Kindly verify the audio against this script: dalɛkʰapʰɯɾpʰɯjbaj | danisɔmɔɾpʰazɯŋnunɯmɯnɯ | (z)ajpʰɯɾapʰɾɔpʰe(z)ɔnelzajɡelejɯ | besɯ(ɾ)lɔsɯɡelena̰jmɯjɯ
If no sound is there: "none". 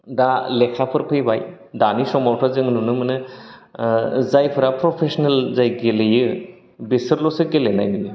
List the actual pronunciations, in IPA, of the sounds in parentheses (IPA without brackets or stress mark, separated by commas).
z, s, ɾ